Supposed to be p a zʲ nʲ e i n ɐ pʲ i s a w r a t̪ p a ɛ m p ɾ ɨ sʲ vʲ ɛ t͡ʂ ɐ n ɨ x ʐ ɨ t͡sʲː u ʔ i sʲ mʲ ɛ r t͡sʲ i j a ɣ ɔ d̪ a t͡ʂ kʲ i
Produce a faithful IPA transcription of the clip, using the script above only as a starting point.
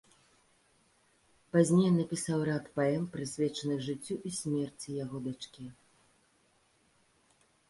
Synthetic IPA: p a zʲ nʲ e j n ɐ pʲ i s a w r a t̪ p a ɛ m p ɾ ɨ sʲ vʲ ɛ t͡ʂ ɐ n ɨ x ʐ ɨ t͡sʲː u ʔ i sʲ mʲ ɛ r t͡sʲ i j a ɣ ɔ d̪ a t͡ʂ kʲ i